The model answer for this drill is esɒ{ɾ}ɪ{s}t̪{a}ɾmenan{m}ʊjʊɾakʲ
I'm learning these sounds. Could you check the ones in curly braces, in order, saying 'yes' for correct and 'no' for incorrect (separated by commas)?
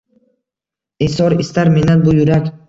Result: yes, yes, yes, no